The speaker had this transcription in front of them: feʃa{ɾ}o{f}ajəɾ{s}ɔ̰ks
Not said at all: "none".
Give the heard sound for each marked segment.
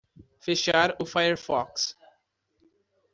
ɾ, f, f

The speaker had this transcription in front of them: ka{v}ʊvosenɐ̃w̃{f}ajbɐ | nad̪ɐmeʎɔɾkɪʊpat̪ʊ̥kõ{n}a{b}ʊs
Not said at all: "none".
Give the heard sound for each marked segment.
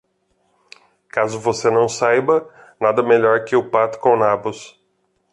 z, s, n, b

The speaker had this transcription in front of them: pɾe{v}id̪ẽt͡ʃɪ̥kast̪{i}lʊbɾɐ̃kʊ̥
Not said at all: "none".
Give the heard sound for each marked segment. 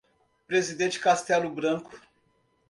z, ɛ

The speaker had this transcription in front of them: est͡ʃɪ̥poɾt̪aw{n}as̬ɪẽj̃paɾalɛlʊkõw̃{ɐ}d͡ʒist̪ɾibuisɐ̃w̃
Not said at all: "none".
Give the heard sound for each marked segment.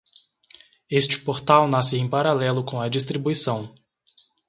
n, ɐ

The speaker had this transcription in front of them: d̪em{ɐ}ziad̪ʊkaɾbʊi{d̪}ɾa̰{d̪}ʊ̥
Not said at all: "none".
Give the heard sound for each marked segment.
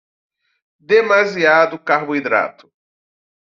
a, d̪, t̪

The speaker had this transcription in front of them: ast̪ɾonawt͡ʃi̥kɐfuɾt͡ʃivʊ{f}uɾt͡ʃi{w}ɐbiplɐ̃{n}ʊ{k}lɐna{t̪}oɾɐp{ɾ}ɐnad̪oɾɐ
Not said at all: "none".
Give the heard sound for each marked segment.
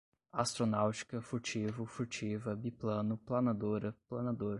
f, v, n, p, d̪, l

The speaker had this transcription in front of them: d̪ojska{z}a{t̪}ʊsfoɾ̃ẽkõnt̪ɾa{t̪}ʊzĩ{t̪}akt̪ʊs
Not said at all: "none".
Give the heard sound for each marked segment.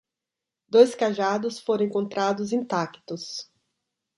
ʒ, d̪, d̪, t̪

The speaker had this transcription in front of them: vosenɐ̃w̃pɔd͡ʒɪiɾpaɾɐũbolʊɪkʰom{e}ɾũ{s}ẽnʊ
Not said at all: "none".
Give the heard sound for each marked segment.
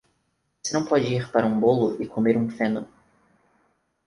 e, f

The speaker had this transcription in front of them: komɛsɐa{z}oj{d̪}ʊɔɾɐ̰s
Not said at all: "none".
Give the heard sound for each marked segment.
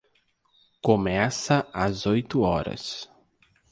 z, t̪

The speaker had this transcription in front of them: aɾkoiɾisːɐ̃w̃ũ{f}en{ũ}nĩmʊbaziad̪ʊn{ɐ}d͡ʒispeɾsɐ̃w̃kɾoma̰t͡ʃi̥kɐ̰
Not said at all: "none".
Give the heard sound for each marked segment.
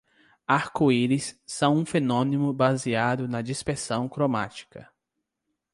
f, õ, ɐ

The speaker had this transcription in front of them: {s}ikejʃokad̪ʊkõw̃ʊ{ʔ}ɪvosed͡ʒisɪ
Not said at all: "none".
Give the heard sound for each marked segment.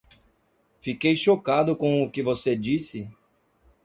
f, k

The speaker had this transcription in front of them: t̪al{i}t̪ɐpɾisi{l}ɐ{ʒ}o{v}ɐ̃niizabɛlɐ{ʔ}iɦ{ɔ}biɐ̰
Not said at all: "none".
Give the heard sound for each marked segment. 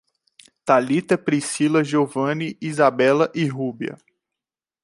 i, l, ʒ, v, ʔ, u

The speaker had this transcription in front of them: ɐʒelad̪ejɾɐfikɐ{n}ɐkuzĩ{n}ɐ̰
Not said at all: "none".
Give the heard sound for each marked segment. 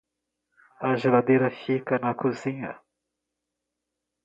n, ɲ

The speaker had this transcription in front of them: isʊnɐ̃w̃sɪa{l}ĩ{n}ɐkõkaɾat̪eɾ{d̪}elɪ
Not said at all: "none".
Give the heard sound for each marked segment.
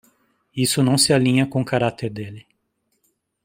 l, ɲ, d̪

